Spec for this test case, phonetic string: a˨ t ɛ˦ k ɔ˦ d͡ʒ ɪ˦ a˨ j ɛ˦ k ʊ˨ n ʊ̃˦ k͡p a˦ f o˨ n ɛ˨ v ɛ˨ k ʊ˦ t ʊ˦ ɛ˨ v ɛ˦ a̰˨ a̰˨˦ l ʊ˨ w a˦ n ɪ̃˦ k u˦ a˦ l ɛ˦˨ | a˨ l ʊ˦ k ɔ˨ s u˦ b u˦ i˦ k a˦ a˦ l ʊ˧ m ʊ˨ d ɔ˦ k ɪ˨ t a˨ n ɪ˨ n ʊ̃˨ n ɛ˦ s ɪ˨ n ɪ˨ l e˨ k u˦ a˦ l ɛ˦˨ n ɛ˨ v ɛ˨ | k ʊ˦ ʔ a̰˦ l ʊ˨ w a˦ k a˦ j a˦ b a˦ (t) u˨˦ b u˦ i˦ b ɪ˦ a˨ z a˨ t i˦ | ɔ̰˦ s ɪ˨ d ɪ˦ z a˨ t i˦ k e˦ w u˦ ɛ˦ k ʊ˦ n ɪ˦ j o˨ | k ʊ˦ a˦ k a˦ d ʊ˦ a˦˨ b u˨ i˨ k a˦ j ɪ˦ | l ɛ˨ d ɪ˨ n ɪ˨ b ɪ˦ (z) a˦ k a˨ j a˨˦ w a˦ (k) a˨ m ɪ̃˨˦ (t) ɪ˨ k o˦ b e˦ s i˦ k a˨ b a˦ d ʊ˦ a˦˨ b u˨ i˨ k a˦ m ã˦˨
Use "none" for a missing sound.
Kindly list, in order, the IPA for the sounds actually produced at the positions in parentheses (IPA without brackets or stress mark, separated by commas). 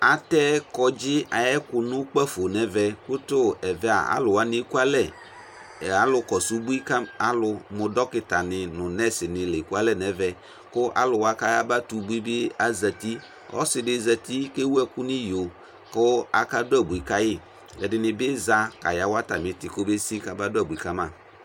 t, z, t, t